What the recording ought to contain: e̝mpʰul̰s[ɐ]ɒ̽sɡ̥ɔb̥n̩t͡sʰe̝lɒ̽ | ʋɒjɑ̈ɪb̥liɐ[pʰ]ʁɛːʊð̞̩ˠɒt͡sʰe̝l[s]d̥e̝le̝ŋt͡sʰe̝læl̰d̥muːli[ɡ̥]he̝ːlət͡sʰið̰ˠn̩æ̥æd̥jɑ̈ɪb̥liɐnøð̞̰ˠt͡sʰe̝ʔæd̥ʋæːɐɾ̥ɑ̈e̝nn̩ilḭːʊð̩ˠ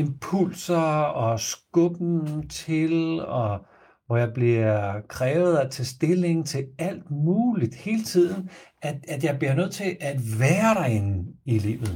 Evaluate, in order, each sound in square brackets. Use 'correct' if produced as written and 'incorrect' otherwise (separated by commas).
correct, incorrect, correct, incorrect